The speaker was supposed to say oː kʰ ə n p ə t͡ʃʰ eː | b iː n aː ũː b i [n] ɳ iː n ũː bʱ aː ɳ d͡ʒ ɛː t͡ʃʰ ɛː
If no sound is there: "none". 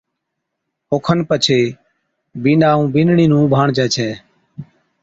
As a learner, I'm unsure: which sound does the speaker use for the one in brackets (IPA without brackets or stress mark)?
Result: n